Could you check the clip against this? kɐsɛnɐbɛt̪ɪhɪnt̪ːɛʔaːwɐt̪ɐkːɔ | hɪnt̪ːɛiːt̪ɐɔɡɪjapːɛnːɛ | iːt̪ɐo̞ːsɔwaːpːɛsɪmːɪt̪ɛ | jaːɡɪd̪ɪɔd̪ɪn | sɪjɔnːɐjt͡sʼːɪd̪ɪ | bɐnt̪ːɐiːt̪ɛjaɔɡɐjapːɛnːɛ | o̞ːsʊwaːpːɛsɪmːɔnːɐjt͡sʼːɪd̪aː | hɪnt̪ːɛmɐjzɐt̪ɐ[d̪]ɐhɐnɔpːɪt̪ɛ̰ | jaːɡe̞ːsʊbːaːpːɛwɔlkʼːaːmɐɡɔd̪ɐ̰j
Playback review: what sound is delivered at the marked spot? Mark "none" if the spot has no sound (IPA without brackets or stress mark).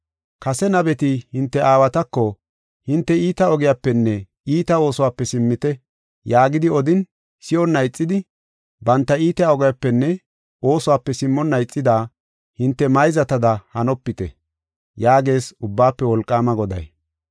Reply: d̪